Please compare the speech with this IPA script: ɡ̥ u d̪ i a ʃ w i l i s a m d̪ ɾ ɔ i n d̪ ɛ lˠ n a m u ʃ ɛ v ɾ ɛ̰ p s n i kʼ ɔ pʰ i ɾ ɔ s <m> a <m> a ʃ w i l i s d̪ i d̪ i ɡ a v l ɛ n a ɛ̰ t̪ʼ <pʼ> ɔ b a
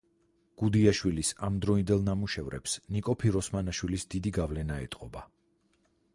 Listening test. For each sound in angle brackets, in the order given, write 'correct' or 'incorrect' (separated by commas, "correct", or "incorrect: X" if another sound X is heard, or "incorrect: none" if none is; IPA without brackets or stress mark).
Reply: correct, incorrect: n, incorrect: qʼ